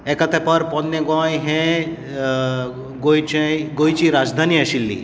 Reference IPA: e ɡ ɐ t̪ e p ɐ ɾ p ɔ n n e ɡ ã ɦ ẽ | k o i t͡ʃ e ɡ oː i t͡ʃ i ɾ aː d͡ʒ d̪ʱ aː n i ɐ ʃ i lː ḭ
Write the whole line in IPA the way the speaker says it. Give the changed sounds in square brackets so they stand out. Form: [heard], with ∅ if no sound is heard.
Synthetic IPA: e [k] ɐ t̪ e p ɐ ɾ p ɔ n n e ɡ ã ɦ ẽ | [ɡ] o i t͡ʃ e ɡ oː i t͡ʃ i ɾ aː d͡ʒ d̪ʱ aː n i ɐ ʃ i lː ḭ